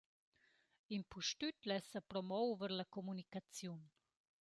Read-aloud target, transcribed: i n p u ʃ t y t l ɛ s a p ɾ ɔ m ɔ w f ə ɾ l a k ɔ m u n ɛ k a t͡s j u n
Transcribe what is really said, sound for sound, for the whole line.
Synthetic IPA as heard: i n p u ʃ t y t l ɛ s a p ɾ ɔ m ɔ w v ə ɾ l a k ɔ m u n i k a t͡s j u n